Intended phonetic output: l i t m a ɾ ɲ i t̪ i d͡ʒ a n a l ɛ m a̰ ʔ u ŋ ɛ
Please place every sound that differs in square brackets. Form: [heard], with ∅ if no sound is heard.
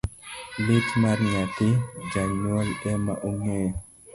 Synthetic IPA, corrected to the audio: l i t m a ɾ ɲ [a] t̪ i d͡ʒ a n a l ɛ m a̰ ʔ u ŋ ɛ